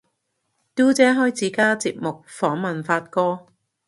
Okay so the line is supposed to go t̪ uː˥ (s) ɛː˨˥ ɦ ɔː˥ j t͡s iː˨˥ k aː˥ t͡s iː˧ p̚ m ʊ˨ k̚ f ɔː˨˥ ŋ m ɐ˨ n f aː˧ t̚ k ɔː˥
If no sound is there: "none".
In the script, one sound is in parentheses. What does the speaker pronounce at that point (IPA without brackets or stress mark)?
t͡s